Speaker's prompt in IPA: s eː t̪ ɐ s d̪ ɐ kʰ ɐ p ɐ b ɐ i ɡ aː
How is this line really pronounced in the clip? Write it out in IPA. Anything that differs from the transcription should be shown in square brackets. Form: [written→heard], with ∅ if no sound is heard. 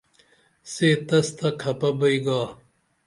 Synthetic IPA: s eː t̪ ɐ s [d̪→t̪] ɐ kʰ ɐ p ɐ b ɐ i ɡ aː